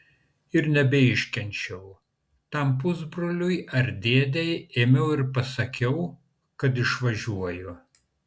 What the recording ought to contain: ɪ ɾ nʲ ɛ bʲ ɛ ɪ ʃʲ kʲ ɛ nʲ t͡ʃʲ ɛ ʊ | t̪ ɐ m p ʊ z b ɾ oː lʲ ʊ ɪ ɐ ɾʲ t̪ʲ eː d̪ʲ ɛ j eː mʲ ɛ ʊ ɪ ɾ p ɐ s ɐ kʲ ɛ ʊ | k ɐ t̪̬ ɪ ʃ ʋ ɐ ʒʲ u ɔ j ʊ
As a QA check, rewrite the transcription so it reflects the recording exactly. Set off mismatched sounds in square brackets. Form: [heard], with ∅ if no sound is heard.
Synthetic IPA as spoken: ɪ ɾ nʲ ɛ bʲ ɛ ɪ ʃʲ kʲ ɛ nʲ t͡ʃʲ ɛ ʊ | t̪ ɐ m p ʊ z b ɾ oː lʲ ʊ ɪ ɐ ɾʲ [d̪ʲ] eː d̪ʲ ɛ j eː mʲ ɛ ʊ ɪ ɾ p ɐ s ɐ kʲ ɛ ʊ | k ɐ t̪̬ ɪ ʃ ʋ ɐ ʒʲ u ɔ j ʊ